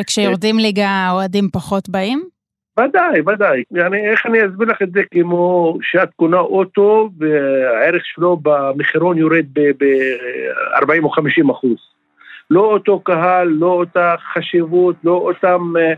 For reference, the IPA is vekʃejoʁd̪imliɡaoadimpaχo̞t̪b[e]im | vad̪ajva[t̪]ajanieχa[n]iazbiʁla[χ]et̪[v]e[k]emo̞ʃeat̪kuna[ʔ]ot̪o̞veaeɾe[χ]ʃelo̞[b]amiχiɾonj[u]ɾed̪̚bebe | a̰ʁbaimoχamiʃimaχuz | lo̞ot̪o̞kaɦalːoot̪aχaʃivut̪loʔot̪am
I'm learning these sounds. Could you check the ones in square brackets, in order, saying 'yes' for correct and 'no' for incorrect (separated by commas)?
no, no, yes, yes, no, yes, yes, yes, yes, no